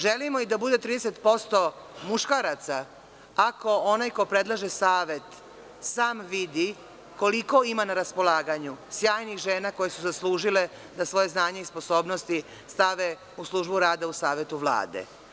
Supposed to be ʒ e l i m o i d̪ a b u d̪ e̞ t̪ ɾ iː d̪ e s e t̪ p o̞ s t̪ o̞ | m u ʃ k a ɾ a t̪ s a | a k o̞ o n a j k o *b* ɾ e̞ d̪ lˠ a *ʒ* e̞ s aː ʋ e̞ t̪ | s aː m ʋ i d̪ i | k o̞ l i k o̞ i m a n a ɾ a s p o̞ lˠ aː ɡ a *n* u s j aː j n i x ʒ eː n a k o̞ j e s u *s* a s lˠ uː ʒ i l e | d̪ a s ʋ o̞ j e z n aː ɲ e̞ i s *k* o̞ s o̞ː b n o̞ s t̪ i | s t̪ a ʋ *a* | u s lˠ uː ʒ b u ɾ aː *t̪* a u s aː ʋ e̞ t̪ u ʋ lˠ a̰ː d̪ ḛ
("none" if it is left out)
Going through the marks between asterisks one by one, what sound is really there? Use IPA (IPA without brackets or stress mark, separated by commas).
p, ʒ, ɲ, z, p, e, d̪